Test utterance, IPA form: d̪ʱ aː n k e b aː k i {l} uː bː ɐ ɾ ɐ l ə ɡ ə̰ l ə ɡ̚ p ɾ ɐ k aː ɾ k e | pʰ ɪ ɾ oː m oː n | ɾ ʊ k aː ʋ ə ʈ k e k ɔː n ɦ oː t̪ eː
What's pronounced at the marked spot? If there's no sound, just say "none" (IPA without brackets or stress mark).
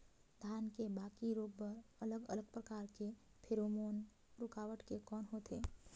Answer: ɾ